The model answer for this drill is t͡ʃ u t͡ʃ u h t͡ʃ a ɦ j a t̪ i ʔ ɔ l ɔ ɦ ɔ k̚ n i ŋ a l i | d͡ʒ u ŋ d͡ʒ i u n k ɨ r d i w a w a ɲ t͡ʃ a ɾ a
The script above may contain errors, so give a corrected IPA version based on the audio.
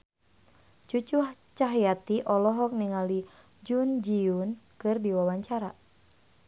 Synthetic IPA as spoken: t͡ʃ u t͡ʃ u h t͡ʃ a ɦ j a t̪ i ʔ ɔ l ɔ ɦ ɔ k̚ n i ŋ a l i | d͡ʒ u n d͡ʒ i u n k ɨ r d i w a w a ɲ t͡ʃ a ɾ a